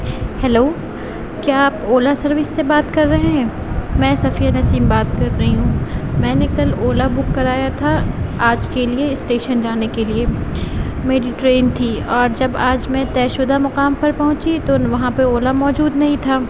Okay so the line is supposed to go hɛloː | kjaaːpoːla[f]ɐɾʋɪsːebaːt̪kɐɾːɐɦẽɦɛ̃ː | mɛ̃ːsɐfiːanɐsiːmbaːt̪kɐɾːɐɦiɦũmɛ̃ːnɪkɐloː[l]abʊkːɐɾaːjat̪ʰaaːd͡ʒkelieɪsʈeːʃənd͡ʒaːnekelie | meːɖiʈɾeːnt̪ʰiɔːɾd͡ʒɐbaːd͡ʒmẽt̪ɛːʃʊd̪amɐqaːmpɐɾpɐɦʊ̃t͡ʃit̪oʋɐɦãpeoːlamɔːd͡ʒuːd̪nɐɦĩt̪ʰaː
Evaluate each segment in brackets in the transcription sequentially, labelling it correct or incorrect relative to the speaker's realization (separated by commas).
incorrect, correct